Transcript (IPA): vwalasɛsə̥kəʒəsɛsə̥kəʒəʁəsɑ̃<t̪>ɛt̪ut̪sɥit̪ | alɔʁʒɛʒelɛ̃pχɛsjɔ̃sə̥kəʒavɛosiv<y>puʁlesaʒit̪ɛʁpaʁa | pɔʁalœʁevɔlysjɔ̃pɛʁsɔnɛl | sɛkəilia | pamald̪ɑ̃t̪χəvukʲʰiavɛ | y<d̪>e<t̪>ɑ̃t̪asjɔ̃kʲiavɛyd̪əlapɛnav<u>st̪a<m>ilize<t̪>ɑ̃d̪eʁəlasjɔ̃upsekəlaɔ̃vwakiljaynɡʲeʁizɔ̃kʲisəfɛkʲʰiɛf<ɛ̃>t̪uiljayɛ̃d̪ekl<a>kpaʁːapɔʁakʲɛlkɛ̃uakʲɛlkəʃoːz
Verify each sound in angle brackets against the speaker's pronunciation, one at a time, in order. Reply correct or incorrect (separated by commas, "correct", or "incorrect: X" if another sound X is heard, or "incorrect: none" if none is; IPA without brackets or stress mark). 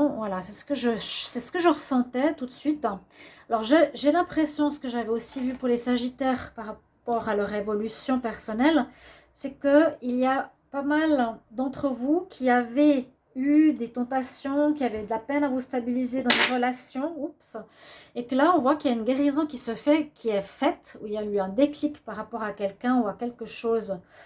correct, correct, correct, correct, correct, incorrect: b, incorrect: d̪, incorrect: ɛ, incorrect: i